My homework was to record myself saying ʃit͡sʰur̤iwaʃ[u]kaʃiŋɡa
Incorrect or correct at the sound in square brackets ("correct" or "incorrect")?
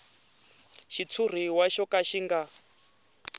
incorrect